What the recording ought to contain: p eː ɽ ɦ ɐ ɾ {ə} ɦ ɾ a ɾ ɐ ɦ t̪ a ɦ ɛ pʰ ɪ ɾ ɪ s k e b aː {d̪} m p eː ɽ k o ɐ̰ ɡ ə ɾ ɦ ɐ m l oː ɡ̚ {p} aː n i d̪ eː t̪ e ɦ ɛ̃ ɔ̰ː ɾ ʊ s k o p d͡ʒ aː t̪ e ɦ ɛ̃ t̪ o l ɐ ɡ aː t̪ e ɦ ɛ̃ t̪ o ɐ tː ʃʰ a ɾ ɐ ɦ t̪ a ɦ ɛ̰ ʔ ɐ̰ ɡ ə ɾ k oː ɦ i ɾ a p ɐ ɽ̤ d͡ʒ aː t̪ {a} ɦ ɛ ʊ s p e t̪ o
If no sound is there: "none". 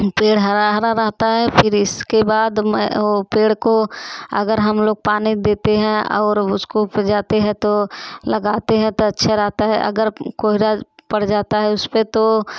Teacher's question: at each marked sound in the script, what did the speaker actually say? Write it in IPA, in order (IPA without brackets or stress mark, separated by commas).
a, d̪, p, a